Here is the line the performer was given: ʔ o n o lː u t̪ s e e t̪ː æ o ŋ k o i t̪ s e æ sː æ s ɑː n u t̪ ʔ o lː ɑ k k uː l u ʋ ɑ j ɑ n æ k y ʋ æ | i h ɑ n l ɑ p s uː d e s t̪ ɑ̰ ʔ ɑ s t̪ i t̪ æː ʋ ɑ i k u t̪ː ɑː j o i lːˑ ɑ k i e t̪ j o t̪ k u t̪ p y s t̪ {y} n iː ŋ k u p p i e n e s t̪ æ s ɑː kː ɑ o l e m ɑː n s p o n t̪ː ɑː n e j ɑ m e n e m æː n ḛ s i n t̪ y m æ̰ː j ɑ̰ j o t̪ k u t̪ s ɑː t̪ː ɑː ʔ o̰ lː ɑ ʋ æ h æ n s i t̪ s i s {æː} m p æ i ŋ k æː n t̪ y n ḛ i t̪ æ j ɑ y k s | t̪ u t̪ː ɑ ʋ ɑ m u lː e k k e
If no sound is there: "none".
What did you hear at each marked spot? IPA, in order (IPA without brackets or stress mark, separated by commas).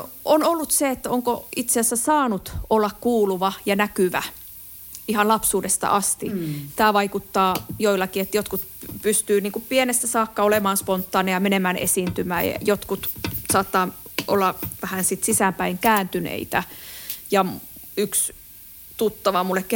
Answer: yː, æ